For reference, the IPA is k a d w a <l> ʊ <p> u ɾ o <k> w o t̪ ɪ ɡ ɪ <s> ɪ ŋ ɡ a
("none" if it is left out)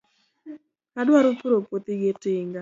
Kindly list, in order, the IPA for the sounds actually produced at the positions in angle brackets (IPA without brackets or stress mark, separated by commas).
ɾ, p, p, t